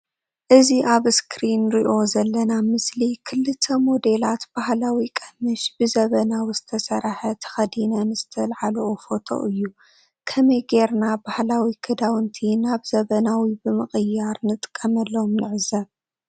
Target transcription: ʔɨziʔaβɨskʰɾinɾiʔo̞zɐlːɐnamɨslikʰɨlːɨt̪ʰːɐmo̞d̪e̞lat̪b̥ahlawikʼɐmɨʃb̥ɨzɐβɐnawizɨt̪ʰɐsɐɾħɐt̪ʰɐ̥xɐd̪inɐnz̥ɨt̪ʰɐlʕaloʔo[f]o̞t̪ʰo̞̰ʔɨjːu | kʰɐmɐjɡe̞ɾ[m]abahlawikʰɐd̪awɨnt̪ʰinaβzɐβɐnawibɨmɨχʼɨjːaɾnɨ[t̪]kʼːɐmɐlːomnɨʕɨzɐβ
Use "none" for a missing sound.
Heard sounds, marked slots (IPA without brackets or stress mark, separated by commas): f, n, t̪ʼ